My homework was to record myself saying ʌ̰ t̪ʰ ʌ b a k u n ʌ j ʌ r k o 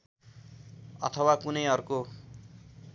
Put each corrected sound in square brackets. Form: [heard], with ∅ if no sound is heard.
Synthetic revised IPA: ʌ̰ t̪ʰ ʌ [w] a k u n ʌ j ʌ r k o

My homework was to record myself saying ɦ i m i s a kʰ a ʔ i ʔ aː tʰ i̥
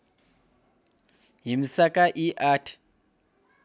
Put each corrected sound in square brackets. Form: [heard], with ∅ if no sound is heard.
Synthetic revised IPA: ɦ i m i s a [k] a ʔ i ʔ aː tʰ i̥

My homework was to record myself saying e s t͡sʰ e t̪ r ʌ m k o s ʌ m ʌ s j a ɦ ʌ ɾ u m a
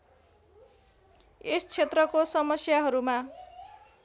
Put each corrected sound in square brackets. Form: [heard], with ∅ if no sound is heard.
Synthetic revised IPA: e s t͡sʰ e t̪ r ʌ [∅] k o s ʌ m ʌ s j a ɦ ʌ ɾ u m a

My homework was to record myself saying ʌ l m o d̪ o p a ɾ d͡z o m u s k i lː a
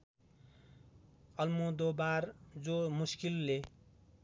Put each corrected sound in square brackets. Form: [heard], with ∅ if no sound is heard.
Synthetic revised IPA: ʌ l m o d̪ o [b] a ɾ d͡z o m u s k i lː [e]

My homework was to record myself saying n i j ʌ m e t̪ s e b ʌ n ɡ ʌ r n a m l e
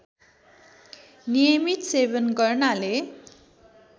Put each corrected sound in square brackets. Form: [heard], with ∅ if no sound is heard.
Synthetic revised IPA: n i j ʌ m [i] t̪ s e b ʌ n ɡ ʌ r n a [∅] l e

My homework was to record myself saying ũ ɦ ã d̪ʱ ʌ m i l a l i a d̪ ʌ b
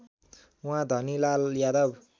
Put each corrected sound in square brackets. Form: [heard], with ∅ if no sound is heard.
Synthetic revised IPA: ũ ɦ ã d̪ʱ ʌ [n] i l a l [j] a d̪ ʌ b

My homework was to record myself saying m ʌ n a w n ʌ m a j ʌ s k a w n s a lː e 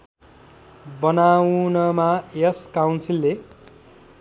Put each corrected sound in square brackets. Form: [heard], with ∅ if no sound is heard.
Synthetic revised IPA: [b] ʌ n a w n ʌ m a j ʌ s k a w n s [i] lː e

